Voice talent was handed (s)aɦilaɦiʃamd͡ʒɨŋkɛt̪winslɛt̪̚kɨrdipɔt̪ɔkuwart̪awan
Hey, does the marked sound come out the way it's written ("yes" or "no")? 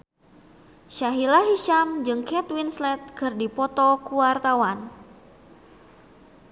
no